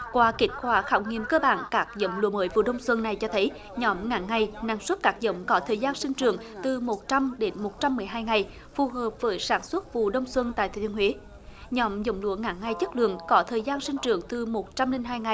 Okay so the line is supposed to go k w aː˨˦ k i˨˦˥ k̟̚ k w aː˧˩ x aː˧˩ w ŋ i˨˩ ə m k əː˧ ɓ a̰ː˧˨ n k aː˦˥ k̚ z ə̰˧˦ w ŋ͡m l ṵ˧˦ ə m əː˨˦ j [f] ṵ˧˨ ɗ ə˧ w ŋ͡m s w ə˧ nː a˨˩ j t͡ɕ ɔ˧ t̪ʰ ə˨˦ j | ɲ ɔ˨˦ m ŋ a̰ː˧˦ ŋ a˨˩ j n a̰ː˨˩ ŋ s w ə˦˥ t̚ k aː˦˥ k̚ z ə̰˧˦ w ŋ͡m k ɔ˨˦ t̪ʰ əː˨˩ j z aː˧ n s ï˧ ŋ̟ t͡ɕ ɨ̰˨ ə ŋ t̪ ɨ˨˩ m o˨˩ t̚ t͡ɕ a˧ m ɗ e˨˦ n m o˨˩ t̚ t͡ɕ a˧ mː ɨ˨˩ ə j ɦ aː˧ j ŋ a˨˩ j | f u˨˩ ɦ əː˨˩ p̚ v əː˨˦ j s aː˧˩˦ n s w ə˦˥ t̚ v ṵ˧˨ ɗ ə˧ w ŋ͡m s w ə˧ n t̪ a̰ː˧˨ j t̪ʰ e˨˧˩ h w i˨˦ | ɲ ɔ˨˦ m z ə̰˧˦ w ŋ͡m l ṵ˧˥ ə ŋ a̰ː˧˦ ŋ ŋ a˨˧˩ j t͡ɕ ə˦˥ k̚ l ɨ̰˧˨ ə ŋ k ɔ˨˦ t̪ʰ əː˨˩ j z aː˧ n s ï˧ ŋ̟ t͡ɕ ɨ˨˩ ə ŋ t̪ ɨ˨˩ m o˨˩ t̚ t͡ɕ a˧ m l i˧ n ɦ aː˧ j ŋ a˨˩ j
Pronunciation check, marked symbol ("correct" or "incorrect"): incorrect